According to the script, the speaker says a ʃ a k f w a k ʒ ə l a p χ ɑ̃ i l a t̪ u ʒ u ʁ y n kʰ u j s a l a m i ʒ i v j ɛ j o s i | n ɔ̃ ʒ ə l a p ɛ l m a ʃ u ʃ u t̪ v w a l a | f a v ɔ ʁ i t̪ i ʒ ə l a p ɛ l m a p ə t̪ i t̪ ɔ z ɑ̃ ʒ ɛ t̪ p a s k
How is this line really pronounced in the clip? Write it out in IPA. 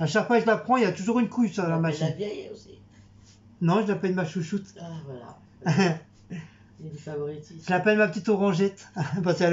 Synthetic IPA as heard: a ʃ a k f w a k ʒ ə l a p χ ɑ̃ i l a t̪ u ʒ u ʁ y n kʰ u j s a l a m a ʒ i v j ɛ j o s i | n ɔ̃ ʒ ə l a p ɛ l m a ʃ u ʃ u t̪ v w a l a | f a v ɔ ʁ i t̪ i ʒ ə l a p ɛ l m a p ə t̪ i t̪ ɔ ʁ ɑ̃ ʒ ɛ t̪ p a s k